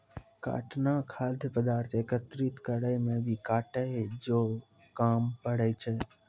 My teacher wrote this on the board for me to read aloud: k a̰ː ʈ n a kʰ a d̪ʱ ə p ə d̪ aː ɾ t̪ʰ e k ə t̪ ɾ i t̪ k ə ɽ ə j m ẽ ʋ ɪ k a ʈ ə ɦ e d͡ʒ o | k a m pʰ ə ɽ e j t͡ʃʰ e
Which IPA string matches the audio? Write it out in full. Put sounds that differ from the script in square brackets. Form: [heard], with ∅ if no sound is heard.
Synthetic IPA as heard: k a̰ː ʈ n a kʰ a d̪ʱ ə p ə d̪ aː ɾ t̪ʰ e k ə t̪ ɾ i t̪ k ə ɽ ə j m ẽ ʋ [i] k a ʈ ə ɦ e d͡ʒ o | k a m [p] ə ɽ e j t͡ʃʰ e